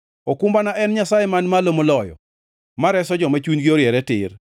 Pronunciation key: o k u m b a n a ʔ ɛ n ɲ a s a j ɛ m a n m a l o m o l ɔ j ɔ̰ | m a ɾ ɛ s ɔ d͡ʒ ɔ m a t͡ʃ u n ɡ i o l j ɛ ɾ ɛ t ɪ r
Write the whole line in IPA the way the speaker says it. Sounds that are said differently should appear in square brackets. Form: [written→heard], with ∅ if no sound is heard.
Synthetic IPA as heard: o k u m b a n a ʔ ɛ n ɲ a s a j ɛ m a n m a l o m o l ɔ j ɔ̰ | m a ɾ ɛ s ɔ d͡ʒ ɔ m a t͡ʃ u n ɡ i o [l→ɾ] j ɛ ɾ ɛ t ɪ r